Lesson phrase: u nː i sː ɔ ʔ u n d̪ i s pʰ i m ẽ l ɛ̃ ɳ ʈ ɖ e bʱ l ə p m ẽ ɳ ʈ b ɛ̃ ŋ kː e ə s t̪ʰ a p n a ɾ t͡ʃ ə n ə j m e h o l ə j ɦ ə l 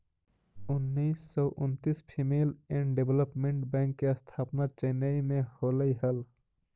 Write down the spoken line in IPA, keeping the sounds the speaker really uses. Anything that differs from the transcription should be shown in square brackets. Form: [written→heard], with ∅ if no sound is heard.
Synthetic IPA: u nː i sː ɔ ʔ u n [d̪→t̪] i s pʰ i m [ẽ→e] l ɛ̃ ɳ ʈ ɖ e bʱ l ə p m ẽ ɳ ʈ b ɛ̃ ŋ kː e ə s t̪ʰ a p n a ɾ t͡ʃ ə n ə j m e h o l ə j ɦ ə l